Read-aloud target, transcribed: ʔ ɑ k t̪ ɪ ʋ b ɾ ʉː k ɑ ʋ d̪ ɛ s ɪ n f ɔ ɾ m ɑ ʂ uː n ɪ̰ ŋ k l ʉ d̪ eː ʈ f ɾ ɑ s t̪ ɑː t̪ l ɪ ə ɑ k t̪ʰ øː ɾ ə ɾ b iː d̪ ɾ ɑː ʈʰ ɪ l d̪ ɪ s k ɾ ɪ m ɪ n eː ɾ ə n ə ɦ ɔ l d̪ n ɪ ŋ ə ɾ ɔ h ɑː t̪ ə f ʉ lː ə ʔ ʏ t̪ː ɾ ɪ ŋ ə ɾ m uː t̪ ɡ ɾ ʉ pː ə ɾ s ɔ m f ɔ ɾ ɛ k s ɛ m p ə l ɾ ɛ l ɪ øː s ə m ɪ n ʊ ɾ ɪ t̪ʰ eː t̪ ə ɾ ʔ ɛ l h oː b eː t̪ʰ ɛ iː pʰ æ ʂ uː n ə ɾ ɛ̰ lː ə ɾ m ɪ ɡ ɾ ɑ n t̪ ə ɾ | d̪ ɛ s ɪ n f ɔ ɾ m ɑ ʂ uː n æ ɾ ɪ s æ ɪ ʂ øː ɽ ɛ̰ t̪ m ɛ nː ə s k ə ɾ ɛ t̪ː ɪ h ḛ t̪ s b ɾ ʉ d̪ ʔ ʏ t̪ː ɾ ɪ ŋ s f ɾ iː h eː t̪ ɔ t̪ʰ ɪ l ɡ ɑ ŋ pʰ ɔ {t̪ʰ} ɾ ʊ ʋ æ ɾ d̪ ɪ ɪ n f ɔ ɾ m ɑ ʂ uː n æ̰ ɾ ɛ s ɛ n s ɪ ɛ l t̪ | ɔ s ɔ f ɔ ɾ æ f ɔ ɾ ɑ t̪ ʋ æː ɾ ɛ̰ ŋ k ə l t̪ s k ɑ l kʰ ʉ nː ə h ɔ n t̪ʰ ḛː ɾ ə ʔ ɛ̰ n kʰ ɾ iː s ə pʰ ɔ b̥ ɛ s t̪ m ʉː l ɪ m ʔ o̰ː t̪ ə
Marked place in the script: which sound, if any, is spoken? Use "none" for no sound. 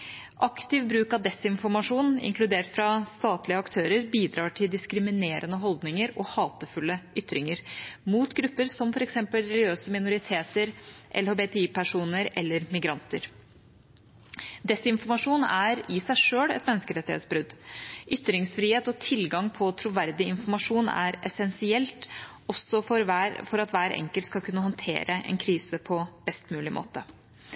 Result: t̪ʰ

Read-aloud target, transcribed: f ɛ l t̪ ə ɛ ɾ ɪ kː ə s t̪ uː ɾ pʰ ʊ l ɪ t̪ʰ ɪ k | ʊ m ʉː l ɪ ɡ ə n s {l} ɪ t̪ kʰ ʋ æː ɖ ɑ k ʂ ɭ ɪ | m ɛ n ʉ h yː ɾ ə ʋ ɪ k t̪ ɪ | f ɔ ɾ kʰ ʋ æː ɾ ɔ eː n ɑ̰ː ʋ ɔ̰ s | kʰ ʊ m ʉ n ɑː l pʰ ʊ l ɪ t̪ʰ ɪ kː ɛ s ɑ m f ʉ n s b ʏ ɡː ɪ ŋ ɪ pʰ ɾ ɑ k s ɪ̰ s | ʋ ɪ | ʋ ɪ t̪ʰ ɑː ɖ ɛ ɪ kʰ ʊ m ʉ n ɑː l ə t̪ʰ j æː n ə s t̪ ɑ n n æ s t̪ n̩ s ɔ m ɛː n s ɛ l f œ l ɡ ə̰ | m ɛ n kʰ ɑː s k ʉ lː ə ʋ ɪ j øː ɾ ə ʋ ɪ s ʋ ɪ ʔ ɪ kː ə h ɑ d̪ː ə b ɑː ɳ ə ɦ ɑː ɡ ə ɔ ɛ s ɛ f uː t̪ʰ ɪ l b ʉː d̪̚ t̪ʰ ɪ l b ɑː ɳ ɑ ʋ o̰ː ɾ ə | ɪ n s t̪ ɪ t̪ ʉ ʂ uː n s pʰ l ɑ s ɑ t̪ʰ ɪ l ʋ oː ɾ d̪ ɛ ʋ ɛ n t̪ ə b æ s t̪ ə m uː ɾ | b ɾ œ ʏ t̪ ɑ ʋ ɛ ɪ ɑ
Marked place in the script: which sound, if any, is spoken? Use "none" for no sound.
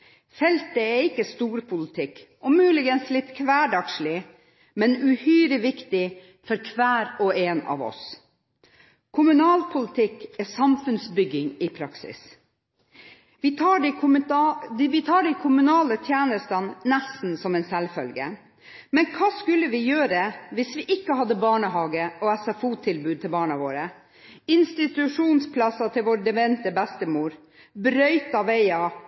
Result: l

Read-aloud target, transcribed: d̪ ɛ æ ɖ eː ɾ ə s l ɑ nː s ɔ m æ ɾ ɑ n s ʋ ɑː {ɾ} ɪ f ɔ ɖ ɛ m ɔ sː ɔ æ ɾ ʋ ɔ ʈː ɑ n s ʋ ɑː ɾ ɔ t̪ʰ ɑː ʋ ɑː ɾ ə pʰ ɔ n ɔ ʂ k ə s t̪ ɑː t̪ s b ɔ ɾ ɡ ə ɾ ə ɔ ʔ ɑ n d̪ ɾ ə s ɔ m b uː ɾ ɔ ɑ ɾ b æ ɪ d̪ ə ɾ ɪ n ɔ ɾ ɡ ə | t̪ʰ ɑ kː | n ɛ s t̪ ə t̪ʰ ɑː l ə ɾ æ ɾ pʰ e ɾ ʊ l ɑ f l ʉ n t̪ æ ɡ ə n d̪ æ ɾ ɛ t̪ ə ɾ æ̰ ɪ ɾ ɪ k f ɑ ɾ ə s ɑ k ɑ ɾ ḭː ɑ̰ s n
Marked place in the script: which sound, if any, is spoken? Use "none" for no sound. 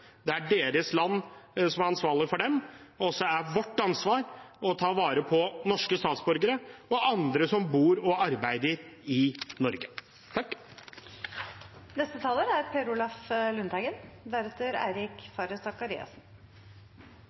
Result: ɭ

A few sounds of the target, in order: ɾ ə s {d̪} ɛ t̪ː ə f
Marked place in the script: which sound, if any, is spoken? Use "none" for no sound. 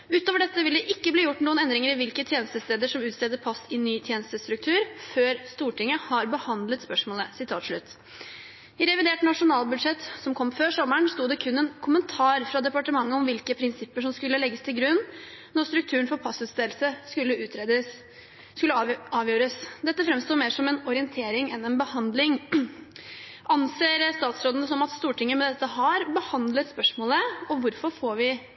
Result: d̪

